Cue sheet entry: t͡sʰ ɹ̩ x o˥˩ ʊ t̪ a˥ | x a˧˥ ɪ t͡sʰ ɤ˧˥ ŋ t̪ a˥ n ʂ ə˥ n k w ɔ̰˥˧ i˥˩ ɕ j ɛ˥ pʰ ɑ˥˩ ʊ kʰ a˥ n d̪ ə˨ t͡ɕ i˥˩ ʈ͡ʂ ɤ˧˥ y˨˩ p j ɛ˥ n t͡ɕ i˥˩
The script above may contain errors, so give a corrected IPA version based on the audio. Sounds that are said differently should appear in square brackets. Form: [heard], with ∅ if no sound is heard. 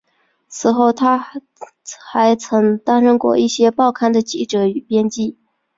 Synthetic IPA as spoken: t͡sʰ ɹ̩ x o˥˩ ʊ [t̪ʰ] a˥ | x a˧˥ ɪ t͡sʰ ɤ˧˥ ŋ t̪ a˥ n ʂ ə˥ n k w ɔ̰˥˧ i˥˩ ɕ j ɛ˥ [p] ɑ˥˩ ʊ kʰ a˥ n d̪ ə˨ t͡ɕ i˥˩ ʈ͡ʂ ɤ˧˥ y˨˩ p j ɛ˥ n t͡ɕ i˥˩

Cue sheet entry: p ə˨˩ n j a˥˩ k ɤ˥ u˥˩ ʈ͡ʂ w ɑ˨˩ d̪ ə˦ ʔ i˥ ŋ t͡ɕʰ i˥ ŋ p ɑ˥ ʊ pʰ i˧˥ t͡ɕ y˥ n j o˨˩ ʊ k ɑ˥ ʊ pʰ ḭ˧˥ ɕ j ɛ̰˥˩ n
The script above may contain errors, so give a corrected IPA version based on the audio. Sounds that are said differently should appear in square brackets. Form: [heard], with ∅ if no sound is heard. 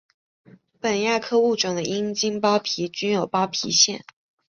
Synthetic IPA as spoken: p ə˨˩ n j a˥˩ [kʰ] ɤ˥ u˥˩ ʈ͡ʂ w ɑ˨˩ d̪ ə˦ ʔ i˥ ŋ [t͡ɕ] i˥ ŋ p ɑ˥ ʊ pʰ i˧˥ t͡ɕ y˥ n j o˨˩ ʊ [p] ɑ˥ ʊ pʰ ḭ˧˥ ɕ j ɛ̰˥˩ n

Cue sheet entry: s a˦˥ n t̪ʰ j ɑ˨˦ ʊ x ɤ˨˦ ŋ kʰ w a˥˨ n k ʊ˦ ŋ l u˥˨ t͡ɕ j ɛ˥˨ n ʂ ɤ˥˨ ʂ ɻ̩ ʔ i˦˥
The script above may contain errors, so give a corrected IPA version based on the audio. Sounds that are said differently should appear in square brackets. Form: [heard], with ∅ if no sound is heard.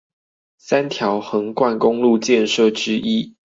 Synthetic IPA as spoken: s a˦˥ n t̪ʰ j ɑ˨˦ ʊ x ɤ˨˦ ŋ [k] w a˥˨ n k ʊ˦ ŋ l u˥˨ t͡ɕ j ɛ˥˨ n ʂ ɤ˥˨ [ʈ͡ʂ] ɻ̩ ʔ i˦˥

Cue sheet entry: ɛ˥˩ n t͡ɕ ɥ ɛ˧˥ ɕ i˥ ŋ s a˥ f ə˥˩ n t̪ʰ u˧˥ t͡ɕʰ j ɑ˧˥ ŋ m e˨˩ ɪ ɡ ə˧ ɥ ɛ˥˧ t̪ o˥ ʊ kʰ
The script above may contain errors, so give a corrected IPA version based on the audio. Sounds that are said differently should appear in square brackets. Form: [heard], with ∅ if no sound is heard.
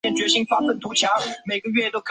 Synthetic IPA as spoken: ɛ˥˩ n t͡ɕ ɥ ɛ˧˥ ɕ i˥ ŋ [f] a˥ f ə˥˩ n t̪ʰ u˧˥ t͡ɕʰ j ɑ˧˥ ŋ m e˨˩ ɪ ɡ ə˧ ɥ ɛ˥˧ t̪ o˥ ʊ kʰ

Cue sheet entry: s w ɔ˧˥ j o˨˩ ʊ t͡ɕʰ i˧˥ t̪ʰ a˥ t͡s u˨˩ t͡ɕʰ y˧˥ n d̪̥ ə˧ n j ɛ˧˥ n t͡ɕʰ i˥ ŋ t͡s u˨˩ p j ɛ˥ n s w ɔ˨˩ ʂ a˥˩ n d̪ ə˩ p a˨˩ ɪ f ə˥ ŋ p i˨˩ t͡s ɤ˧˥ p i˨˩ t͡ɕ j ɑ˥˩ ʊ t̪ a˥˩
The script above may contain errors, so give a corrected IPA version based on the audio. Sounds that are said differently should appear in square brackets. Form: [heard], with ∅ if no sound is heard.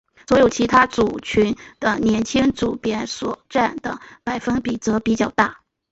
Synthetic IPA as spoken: s w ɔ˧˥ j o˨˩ ʊ t͡ɕʰ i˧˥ t̪ʰ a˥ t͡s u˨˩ t͡ɕʰ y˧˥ n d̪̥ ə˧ n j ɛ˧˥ n t͡ɕʰ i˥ ŋ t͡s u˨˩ p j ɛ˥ n s w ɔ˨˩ [ʈ͡ʂ] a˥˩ n d̪ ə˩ p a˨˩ ɪ f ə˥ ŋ p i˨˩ t͡s ɤ˧˥ p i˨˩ t͡ɕ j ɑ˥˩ ʊ t̪ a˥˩

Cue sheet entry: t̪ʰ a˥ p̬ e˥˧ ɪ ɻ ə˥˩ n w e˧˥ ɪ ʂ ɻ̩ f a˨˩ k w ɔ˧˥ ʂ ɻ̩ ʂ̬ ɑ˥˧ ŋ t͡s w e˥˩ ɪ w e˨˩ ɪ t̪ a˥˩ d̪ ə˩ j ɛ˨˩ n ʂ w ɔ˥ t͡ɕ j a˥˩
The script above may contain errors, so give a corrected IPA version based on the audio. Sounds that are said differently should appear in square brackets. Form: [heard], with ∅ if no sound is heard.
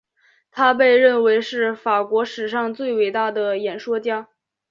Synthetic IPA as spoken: t̪ʰ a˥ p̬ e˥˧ ɪ ɻ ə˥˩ n w e˧˥ ɪ ʂ ɻ̩ f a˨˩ k w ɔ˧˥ ʂ ɻ̩ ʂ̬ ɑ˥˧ ŋ t͡s w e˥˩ ɪ w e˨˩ ɪ t̪ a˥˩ d̪ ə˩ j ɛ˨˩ n ʂ w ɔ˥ t͡ɕ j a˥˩

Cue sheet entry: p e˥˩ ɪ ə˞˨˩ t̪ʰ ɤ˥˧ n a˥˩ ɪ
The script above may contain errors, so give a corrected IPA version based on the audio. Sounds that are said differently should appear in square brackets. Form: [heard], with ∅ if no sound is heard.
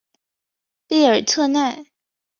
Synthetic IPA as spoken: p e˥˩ ɪ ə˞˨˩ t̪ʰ ɤ˥˧ n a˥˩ ɪ

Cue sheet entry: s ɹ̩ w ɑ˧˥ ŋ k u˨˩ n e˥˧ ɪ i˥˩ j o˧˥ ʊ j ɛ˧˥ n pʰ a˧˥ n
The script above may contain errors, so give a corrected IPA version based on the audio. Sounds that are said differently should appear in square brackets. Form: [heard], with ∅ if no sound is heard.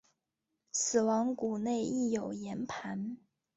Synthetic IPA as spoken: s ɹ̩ w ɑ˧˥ ŋ k u˨˩ n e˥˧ ɪ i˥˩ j [o˨˩] ʊ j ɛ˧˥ n pʰ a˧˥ n

